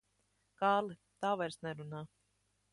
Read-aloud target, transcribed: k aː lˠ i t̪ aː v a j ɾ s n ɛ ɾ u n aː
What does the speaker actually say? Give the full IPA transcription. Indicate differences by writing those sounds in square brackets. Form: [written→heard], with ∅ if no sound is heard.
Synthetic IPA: k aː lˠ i t̪ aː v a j ɾ s n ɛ ɾ u n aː